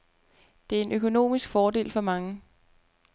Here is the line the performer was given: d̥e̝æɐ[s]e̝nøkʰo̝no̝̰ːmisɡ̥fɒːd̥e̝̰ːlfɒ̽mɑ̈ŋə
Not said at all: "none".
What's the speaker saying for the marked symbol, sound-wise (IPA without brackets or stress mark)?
none